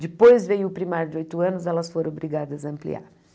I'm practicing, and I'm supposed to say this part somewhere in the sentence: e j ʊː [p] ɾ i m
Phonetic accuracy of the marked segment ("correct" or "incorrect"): correct